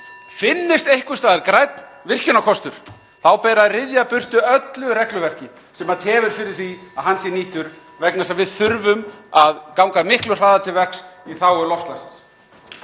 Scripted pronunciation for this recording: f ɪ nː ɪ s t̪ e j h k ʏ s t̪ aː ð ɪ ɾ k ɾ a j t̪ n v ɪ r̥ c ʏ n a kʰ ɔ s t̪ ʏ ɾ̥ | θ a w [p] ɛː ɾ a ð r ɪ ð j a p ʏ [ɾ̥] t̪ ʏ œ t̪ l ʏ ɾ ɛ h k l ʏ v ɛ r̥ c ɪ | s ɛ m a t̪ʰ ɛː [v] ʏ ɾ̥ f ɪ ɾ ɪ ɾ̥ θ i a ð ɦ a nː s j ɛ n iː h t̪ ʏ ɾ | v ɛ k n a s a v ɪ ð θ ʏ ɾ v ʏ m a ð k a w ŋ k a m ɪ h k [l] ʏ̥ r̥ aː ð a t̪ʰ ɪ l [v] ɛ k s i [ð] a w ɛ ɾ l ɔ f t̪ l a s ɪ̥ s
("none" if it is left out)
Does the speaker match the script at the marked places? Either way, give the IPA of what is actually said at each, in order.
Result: p, r̥, v, l, v, θ

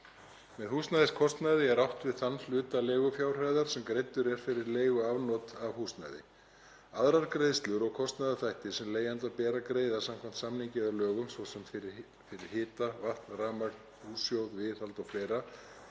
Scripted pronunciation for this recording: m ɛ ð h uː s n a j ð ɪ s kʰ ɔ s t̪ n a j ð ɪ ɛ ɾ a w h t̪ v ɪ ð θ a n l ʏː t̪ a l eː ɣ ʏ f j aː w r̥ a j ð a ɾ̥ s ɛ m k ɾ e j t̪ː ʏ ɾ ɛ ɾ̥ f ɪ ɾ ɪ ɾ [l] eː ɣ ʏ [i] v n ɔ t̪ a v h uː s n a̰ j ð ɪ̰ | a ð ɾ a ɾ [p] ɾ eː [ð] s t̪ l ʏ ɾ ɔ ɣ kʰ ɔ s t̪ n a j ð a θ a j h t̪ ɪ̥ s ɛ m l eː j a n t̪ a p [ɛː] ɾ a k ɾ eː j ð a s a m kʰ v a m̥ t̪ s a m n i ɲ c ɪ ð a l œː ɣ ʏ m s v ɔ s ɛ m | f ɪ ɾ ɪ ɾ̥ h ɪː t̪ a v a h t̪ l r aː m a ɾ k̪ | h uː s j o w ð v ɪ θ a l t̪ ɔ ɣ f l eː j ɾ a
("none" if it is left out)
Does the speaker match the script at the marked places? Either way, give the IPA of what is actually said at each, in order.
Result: l, a, k, ð, ɛː

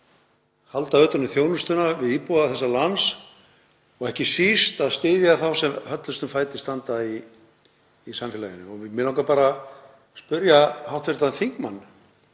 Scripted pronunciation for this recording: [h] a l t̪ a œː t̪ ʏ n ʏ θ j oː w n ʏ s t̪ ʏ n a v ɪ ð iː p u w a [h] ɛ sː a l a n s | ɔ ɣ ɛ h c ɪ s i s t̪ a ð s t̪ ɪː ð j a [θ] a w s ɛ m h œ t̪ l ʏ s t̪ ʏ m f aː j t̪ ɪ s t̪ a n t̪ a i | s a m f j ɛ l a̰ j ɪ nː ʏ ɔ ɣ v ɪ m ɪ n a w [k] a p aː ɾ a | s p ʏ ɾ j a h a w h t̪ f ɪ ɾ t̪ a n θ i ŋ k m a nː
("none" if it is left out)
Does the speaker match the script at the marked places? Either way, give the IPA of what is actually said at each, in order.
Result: h, θ, θ, k

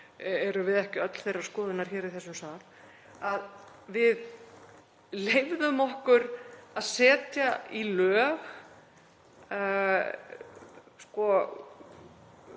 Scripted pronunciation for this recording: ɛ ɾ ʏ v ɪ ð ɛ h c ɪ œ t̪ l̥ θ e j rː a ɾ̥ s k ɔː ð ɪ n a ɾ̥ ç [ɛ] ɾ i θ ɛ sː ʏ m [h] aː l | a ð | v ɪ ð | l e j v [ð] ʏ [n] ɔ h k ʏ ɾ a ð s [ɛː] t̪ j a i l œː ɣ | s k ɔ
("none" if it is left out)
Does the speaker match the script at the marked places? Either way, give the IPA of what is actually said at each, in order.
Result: ɛː, s, ð, m, ɛː

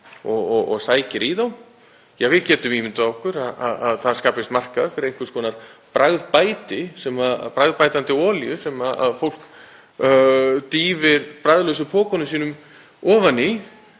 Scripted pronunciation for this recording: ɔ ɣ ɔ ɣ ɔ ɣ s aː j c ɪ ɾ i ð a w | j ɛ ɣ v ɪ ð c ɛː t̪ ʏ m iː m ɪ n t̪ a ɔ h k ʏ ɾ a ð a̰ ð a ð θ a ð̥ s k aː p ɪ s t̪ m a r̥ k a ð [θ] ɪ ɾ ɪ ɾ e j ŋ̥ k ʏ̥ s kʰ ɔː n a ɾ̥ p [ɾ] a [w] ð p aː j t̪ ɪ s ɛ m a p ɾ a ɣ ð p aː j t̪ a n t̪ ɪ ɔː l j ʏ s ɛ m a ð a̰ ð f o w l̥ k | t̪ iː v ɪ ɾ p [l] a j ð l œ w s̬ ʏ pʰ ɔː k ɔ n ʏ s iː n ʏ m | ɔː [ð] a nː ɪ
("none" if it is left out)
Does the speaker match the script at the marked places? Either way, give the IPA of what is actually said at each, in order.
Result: f, ɾ, ɣ, ɾ, v

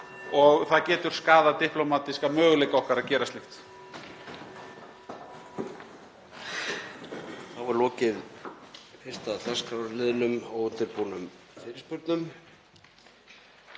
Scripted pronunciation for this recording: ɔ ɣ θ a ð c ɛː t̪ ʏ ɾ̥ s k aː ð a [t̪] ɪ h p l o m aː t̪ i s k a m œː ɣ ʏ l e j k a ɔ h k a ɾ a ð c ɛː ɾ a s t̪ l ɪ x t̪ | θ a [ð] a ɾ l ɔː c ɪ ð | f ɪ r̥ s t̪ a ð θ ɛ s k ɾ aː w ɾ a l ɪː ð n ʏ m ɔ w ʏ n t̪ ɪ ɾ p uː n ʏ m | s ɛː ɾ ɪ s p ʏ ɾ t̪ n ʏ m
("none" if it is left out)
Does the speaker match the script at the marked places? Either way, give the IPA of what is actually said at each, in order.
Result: t̪, v

